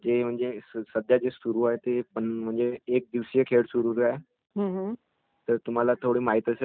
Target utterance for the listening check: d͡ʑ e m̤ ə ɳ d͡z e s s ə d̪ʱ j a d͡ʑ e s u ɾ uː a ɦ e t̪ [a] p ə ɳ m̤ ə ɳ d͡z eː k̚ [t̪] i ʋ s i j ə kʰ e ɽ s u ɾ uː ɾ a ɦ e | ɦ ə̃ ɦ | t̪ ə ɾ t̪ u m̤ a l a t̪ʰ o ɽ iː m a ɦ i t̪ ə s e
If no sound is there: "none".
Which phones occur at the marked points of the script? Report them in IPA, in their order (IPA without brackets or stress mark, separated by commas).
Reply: e, d̪